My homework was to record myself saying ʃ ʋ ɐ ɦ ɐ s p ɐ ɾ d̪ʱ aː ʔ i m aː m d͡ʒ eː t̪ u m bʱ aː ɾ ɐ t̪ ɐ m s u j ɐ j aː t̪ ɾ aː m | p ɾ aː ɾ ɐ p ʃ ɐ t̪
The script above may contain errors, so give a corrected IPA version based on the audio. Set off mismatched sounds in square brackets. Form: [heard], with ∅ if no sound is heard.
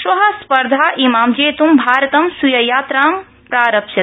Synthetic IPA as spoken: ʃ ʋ ɐ ɦ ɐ s p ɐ ɾ d̪ʱ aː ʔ i m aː m d͡ʒ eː t̪ u m bʱ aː ɾ ɐ t̪ ɐ m s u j ɐ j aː t̪ ɾ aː m | p ɾ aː ɾ ɐ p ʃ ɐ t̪